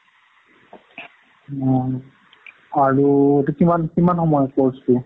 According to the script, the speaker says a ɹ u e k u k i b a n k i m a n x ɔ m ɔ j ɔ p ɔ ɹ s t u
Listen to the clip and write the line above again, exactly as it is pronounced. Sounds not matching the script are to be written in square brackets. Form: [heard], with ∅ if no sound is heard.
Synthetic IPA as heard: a ɹ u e [t] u k i [m] a n k i m a n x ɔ m ɔ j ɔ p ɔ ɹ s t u